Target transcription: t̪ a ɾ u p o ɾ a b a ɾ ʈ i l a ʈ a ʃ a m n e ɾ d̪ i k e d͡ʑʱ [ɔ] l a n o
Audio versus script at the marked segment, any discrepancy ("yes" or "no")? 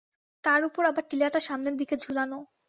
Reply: yes